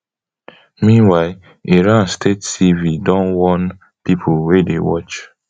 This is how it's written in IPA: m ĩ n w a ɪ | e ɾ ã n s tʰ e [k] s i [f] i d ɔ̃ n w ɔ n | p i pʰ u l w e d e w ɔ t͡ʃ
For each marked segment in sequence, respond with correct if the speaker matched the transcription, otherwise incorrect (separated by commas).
incorrect, incorrect